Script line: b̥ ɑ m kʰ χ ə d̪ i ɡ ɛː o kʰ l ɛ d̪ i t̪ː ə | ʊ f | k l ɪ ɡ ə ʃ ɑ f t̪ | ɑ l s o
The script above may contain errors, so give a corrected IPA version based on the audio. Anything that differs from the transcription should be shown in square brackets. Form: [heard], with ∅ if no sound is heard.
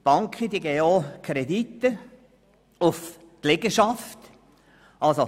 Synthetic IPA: b̥ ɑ [ŋ] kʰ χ ə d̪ i ɡ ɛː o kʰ [ɾ] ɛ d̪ i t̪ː ə | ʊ f | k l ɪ ɡ ə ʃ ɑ f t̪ | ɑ l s o